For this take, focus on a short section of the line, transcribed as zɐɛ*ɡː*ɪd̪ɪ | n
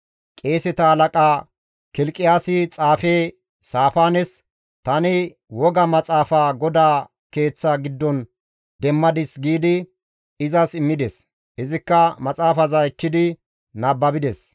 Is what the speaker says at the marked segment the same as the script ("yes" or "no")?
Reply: no